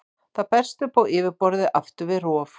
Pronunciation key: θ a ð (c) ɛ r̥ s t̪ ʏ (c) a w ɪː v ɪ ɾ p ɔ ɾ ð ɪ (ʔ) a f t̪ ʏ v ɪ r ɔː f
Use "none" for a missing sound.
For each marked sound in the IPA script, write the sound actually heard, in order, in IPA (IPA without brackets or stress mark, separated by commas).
p, p, ʔ